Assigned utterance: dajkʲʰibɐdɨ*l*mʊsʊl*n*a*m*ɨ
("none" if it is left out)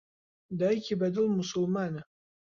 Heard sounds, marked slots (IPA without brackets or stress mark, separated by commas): l, m, n